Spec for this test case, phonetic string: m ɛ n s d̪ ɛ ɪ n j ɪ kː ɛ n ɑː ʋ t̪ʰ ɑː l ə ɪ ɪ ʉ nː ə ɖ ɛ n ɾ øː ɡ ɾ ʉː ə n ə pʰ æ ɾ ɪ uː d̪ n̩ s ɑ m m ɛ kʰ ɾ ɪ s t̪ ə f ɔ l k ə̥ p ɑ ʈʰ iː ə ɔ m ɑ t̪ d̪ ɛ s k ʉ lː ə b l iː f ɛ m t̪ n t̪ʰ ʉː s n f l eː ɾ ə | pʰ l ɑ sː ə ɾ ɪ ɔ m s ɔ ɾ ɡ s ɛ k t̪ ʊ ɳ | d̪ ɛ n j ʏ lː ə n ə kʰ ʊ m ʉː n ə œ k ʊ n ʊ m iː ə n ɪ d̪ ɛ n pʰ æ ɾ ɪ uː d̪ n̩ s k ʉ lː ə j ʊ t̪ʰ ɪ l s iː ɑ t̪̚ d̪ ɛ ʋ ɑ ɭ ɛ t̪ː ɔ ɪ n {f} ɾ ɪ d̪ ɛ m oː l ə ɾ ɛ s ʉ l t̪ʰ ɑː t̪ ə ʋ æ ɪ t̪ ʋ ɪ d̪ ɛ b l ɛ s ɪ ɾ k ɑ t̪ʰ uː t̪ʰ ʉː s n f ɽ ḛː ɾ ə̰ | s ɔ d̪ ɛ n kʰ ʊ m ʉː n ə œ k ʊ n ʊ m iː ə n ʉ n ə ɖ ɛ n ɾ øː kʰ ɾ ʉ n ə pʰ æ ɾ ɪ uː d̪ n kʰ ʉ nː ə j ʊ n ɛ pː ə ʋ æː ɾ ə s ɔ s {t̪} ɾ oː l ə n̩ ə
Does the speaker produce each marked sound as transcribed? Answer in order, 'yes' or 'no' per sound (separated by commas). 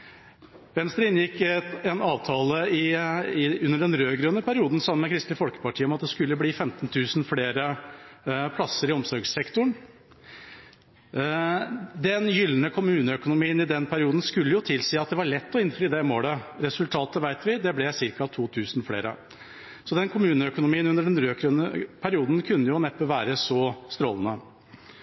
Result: yes, yes